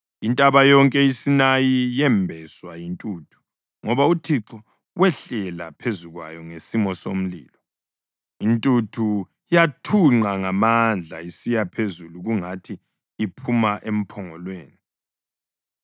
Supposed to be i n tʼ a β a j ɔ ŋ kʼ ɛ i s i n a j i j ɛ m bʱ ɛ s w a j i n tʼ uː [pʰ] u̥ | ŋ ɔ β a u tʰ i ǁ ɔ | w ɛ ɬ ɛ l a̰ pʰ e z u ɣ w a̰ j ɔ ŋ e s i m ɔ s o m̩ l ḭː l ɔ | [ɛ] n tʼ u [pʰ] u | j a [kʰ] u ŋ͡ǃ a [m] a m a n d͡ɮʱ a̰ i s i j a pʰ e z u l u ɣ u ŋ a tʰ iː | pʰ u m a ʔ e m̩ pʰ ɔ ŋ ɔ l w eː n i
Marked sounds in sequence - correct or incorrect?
incorrect: tʰ, incorrect: i, incorrect: tʰ, incorrect: tʰ, incorrect: ŋ

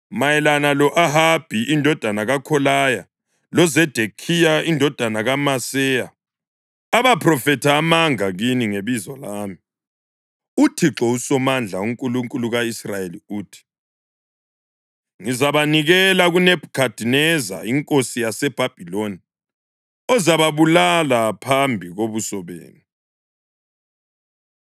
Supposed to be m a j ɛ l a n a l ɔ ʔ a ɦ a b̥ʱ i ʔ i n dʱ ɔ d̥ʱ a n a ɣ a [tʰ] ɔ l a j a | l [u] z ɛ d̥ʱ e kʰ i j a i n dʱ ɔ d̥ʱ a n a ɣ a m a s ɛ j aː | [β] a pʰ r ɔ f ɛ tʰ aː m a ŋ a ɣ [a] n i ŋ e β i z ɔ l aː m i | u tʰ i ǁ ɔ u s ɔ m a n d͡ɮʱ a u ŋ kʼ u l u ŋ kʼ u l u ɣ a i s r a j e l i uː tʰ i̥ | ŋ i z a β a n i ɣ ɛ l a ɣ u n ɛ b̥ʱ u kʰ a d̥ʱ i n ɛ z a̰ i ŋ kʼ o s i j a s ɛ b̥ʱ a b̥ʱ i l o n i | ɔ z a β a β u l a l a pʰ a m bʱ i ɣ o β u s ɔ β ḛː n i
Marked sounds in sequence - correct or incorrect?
incorrect: kʰ, incorrect: ɔ, correct, incorrect: i

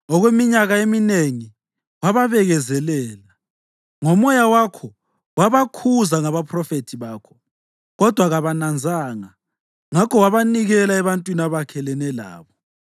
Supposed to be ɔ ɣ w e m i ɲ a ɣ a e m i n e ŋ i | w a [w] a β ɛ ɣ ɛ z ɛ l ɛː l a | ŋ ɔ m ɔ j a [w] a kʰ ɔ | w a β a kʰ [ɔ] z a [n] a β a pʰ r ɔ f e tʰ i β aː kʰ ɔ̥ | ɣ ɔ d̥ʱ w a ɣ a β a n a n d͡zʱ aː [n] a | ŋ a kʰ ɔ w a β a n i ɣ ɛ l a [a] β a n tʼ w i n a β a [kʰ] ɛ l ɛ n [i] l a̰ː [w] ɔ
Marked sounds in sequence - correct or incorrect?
incorrect: β, correct, incorrect: u, incorrect: ŋ, incorrect: ŋ, incorrect: ɛ, correct, incorrect: ɛ, incorrect: β

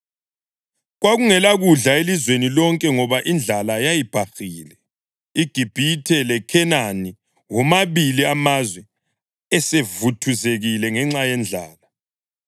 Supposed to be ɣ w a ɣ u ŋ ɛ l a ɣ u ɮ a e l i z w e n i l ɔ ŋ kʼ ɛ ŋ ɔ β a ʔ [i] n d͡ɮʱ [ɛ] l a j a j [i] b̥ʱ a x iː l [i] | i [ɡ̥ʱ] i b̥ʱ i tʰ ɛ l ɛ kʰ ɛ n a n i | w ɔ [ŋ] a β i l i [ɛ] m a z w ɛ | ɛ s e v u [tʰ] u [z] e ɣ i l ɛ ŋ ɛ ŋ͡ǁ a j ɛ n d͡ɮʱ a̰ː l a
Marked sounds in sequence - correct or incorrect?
correct, incorrect: a, correct, incorrect: ɛ, correct, incorrect: m, incorrect: a, correct, correct

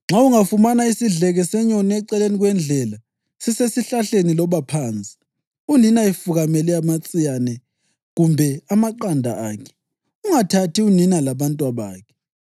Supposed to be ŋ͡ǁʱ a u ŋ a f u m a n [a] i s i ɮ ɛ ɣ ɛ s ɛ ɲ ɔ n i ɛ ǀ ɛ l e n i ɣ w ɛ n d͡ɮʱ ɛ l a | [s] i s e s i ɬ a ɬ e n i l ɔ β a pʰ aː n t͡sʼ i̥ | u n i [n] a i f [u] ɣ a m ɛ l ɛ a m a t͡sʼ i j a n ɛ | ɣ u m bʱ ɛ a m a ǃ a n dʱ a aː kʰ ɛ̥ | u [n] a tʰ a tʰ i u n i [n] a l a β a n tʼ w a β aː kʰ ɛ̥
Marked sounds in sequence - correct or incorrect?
correct, correct, correct, correct, incorrect: ŋ, correct

